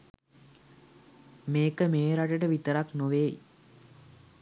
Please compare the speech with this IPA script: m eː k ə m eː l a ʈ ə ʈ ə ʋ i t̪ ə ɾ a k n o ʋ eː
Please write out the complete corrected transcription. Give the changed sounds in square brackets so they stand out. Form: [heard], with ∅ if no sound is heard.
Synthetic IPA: m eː k ə m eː [ɾ] a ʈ ə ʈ ə ʋ i t̪ ə ɾ a k n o ʋ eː